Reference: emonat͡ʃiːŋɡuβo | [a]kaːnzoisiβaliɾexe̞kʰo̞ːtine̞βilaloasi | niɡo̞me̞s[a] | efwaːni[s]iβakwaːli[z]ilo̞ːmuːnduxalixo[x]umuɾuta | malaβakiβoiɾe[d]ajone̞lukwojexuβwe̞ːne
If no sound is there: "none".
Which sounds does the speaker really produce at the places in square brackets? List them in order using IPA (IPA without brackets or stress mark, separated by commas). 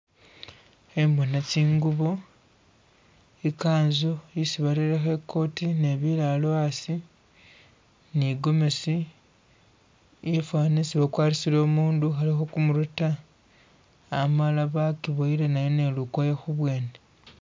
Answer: i, i, s, s, k, n